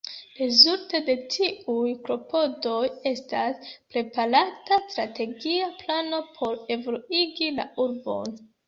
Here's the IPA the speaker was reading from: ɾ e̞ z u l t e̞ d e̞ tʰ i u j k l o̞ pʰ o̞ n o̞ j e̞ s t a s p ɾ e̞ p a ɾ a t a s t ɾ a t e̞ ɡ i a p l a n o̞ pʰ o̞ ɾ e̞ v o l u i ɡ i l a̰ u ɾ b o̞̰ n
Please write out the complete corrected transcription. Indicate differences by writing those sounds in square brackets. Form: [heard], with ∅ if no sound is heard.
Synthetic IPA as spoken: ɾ e̞ z u l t e̞ d e̞ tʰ i u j k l o̞ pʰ o̞ [d] o̞ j e̞ s t a s p ɾ e̞ p a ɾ a t a s t ɾ a t e̞ ɡ i a p l a n o̞ pʰ o̞ ɾ e̞ v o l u i ɡ i l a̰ u ɾ b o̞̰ n